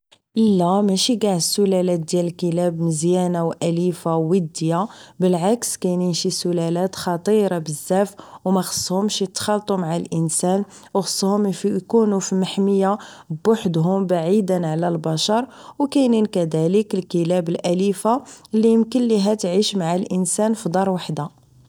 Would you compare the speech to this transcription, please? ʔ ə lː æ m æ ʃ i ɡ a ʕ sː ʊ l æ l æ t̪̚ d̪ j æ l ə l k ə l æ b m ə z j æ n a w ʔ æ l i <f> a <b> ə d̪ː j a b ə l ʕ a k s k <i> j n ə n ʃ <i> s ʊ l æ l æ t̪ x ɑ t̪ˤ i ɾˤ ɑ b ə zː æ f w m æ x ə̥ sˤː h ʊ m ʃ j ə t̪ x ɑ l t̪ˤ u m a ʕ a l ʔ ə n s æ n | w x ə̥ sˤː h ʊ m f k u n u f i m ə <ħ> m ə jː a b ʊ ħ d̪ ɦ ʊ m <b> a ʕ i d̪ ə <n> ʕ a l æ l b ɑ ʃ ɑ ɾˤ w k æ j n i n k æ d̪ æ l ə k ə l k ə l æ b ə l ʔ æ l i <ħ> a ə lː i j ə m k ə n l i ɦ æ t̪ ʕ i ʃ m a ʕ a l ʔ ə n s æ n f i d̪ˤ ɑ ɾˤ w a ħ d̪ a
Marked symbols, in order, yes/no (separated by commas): yes, no, no, yes, yes, yes, yes, no